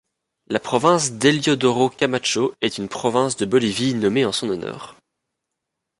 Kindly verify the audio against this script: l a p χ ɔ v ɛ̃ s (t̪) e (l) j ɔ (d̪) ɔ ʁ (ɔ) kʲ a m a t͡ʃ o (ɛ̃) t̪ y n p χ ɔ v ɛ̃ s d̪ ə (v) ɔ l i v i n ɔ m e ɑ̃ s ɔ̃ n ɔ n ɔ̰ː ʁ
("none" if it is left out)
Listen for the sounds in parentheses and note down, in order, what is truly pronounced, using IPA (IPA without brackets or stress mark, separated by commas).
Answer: d̪, l, d̪, o, ɛ, b